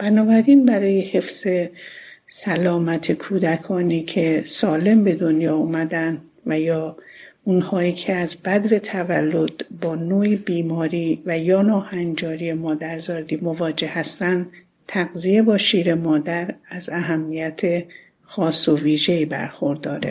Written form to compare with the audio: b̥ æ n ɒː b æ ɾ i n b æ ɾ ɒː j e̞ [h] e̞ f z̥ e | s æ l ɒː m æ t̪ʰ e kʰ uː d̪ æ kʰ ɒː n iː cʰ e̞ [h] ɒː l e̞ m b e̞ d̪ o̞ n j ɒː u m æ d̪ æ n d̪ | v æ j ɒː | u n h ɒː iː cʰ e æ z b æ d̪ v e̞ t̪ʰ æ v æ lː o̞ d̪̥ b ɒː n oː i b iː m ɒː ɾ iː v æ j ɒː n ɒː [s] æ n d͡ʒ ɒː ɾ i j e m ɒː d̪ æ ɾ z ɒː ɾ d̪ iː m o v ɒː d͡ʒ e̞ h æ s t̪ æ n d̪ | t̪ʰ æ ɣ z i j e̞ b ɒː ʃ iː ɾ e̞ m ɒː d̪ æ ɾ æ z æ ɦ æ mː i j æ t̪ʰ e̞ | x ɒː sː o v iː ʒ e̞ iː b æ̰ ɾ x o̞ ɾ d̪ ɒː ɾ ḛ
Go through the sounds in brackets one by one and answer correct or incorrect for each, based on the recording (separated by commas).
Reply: correct, incorrect, incorrect